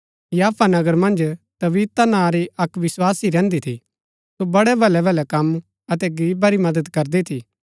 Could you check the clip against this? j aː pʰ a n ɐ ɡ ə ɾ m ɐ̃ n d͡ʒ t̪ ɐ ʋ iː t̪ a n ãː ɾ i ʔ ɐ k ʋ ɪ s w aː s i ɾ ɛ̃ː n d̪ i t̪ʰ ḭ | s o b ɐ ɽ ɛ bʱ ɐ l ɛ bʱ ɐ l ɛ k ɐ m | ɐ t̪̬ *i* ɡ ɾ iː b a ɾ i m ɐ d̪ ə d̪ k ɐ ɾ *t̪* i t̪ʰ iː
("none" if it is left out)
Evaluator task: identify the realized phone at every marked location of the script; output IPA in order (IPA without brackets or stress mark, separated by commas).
ɛ, d̪